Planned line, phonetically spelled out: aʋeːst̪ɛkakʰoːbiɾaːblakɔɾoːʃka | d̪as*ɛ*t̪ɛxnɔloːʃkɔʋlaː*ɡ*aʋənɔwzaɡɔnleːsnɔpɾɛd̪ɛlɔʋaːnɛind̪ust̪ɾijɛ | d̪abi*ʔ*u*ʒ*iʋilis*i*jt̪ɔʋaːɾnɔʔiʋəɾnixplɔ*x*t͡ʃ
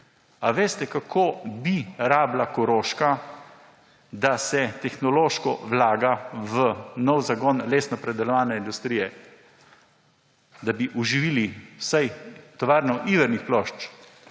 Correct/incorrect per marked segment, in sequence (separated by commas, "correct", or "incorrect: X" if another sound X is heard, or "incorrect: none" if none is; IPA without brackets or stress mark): correct, correct, correct, correct, incorrect: a, incorrect: ʃ